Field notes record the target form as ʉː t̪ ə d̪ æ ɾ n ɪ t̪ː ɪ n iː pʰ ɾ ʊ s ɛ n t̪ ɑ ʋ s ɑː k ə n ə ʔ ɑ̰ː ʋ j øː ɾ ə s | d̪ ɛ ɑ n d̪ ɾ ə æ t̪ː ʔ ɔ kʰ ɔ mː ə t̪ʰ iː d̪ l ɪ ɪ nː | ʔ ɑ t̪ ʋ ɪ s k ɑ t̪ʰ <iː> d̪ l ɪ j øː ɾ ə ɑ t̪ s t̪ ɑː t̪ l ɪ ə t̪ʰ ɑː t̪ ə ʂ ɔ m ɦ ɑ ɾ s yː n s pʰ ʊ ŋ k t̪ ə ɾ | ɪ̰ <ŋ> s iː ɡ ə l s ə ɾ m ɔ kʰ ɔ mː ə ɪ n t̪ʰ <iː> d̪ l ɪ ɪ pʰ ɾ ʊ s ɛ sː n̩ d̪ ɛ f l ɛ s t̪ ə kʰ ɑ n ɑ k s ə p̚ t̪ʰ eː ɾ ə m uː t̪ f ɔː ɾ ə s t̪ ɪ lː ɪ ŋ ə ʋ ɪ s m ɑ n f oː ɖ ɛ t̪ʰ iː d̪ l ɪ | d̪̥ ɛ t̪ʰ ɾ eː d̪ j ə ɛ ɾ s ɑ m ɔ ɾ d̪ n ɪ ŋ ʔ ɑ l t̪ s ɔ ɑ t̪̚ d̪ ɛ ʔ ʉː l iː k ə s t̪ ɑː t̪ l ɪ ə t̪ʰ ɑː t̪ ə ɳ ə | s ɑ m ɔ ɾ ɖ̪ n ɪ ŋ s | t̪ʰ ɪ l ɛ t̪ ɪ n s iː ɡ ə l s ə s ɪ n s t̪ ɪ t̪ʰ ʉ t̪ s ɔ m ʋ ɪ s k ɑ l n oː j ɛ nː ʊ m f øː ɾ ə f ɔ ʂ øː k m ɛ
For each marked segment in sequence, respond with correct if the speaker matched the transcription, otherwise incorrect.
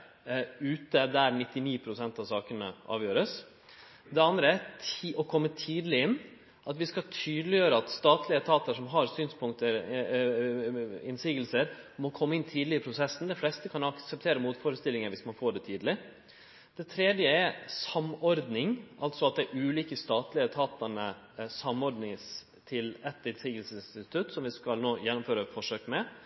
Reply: incorrect, incorrect, correct

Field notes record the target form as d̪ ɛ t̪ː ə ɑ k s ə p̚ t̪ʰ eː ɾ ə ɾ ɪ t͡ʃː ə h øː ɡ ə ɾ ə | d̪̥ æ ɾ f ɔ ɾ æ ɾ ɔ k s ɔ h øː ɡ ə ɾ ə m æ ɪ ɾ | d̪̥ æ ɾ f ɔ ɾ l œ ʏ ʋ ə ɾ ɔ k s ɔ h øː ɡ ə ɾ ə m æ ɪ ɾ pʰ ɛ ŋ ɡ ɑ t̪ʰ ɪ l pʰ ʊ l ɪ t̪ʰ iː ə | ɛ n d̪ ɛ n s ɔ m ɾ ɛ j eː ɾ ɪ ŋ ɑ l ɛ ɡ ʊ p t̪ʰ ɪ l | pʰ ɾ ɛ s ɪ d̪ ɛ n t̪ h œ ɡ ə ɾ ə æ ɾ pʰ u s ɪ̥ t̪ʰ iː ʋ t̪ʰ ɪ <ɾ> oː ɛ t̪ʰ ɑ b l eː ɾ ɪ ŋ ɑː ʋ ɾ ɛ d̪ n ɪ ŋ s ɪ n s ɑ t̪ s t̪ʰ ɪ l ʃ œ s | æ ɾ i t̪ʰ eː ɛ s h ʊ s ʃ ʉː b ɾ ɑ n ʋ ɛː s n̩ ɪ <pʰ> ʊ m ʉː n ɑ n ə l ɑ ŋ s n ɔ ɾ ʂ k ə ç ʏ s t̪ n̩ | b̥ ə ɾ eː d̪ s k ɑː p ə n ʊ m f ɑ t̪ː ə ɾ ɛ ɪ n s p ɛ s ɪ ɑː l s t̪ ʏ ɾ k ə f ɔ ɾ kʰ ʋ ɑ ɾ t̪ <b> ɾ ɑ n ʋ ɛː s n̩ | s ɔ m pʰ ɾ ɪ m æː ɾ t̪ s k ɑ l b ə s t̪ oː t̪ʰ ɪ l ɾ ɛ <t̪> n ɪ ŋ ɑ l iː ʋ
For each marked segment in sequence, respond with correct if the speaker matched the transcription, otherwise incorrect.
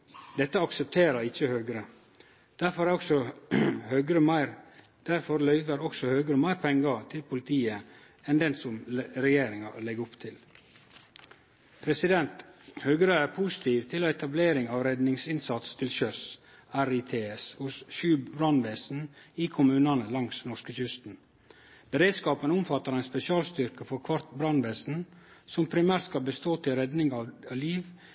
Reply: incorrect, incorrect, correct, incorrect

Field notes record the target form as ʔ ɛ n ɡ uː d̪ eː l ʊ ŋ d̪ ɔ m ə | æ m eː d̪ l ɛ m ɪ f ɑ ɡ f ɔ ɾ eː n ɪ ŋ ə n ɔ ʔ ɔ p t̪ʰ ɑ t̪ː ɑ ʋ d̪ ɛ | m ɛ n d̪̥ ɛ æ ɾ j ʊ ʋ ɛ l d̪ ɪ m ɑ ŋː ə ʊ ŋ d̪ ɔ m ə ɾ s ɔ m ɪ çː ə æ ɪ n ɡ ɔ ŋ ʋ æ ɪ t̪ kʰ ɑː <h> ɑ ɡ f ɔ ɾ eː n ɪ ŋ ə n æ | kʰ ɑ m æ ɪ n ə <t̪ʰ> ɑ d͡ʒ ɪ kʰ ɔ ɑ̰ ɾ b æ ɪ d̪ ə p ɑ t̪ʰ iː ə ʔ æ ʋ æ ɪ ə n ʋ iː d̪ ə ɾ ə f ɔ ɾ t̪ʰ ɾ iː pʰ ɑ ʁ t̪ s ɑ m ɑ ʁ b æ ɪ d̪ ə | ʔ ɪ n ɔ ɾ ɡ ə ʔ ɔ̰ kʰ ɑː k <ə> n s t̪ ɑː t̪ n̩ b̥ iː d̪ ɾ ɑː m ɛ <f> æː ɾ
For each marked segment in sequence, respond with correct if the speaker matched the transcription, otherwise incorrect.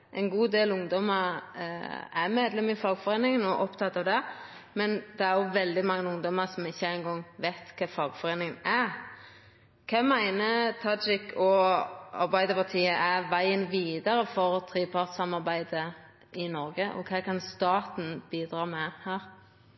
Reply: incorrect, correct, incorrect, incorrect

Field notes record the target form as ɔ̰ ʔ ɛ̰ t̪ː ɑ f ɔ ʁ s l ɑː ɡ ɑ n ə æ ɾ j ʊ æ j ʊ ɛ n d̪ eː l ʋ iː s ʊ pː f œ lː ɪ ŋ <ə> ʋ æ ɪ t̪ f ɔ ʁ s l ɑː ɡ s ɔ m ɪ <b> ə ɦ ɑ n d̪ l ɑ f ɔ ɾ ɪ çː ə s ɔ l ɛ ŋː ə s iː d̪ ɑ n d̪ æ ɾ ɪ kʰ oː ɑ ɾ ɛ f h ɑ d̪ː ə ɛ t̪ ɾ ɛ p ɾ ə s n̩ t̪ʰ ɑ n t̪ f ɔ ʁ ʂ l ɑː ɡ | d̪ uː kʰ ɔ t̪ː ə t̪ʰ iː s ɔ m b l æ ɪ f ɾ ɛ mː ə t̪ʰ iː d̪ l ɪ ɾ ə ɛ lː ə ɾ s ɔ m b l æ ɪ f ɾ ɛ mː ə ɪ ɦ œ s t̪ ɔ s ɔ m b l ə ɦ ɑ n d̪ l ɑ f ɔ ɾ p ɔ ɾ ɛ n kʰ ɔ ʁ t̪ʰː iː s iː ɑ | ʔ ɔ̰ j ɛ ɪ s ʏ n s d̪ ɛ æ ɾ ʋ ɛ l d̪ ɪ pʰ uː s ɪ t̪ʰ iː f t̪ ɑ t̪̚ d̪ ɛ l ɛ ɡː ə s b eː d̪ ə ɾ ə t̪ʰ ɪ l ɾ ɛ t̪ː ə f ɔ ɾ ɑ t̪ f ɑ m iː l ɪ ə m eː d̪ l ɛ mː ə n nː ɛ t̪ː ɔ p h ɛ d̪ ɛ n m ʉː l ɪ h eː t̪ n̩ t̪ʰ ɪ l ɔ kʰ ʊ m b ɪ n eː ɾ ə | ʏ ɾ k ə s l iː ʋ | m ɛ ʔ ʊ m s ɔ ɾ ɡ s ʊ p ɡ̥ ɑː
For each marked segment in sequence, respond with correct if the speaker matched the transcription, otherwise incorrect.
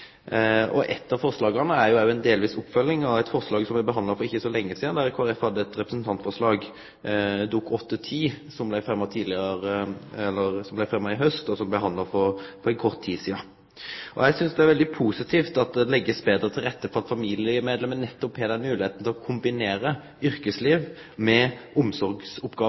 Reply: incorrect, correct

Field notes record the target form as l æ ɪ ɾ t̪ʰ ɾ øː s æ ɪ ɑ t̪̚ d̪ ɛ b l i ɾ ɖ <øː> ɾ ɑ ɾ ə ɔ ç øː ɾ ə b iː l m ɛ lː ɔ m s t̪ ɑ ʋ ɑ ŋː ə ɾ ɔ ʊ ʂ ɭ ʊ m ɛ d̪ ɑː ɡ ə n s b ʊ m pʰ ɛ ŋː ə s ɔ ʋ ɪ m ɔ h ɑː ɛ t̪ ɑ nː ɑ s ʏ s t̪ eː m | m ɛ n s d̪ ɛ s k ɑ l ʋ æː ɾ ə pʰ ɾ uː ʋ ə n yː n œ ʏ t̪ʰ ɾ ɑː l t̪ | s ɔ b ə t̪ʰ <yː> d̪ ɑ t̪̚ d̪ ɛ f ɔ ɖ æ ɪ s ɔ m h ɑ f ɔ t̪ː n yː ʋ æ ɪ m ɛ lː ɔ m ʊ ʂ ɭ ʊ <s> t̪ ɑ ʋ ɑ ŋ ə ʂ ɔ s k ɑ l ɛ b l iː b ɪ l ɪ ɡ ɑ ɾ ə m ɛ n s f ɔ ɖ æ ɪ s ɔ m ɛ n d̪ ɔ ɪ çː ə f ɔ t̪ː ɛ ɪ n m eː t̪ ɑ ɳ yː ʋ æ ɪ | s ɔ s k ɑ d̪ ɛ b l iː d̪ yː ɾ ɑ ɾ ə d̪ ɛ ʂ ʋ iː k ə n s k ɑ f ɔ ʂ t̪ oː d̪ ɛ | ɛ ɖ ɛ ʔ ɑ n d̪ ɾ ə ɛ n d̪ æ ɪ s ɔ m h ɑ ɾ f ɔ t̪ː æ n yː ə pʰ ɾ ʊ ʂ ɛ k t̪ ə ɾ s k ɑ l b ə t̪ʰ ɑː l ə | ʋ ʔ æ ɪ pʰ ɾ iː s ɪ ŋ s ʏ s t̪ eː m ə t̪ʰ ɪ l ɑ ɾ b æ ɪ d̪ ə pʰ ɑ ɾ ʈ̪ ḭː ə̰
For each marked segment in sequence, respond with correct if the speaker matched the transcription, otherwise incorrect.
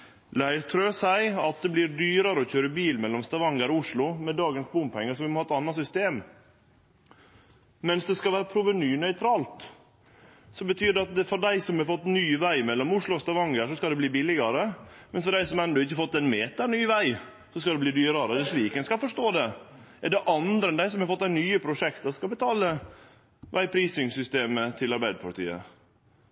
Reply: incorrect, correct, correct

